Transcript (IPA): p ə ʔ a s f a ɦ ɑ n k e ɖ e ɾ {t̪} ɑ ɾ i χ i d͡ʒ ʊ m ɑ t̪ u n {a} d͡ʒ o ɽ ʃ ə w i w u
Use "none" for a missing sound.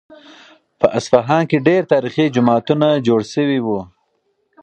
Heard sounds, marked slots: t̪, a

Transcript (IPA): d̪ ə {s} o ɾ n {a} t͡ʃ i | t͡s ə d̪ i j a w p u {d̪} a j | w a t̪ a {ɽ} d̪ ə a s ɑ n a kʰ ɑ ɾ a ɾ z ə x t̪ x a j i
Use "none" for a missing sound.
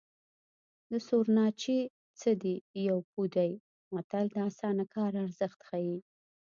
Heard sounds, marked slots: s, ɑ, d̪, l

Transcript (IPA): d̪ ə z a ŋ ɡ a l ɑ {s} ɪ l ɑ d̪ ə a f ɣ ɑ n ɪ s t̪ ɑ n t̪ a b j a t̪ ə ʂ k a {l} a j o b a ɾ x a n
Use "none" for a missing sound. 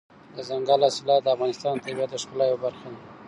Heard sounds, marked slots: s, l

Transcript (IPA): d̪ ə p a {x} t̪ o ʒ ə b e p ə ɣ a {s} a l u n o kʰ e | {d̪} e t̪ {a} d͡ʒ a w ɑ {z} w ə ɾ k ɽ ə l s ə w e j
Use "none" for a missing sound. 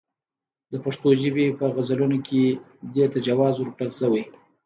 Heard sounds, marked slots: ʂ, z, d̪, a, z

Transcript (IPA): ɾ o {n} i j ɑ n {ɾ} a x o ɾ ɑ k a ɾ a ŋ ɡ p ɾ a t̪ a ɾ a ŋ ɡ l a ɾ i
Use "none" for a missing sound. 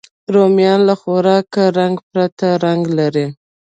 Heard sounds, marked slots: m, l

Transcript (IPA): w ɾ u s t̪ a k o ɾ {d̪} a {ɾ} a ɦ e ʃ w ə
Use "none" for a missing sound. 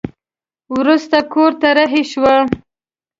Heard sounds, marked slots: t̪, ɾ

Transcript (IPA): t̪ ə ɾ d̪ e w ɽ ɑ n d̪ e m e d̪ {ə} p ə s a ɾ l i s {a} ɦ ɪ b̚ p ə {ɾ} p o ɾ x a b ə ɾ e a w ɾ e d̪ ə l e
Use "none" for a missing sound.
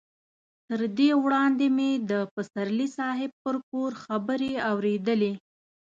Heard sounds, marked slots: ə, ɑ, ɾ

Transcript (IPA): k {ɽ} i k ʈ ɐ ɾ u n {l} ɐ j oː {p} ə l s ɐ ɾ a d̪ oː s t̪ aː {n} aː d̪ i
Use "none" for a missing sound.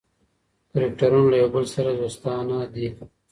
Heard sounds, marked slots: ɾ, l, b, n

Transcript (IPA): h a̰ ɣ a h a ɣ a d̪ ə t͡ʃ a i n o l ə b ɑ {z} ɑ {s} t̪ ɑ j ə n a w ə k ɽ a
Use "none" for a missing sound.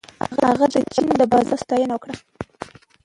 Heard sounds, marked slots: z, s

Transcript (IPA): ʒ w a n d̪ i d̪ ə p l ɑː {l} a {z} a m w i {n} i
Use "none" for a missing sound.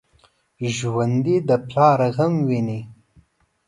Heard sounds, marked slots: ɾ, ɣ, n

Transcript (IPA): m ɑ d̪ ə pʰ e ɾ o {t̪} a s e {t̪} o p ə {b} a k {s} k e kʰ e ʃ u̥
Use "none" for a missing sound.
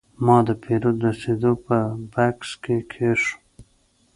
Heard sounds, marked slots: d̪, d̪, b, s

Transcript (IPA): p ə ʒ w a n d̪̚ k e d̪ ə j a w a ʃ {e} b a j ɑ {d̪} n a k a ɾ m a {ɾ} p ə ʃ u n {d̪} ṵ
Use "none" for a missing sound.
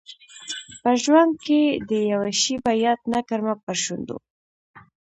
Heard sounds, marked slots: i, t̪, none, d̪

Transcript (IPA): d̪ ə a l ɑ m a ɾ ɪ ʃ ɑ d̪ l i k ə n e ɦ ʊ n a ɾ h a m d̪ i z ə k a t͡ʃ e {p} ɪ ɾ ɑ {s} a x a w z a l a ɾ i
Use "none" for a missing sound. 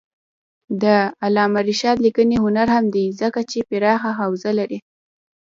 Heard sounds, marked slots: p, x

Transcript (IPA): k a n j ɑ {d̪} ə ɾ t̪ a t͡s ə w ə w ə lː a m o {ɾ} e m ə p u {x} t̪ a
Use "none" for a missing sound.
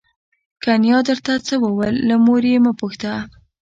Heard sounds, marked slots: d̪, ɾ, x

